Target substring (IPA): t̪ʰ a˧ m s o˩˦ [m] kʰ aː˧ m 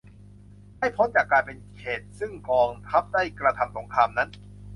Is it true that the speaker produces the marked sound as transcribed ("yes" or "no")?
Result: no